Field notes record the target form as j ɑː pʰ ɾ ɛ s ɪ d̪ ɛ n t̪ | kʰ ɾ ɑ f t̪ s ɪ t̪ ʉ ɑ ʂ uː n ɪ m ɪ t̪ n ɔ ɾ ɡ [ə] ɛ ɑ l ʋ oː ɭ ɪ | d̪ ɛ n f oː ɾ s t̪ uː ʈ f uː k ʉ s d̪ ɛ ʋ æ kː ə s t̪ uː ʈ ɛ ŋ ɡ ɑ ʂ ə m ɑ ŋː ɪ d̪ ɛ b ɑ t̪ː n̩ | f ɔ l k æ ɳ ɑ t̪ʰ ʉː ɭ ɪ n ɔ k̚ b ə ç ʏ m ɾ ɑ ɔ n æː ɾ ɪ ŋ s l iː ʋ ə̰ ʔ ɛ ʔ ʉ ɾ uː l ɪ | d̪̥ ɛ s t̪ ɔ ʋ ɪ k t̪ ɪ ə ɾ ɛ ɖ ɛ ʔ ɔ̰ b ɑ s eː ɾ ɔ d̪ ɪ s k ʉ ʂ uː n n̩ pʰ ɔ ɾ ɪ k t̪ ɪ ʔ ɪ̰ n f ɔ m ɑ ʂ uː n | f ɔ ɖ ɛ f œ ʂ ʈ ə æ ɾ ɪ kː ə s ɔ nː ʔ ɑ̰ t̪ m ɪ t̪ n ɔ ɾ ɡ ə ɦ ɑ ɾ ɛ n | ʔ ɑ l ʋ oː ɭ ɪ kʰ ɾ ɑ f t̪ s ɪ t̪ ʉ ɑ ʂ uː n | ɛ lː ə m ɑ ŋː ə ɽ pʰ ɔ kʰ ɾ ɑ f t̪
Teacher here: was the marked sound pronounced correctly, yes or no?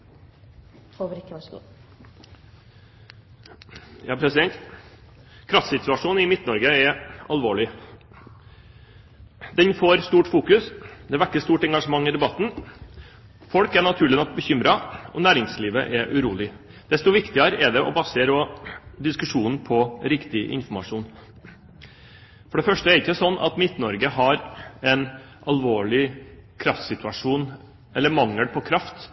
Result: yes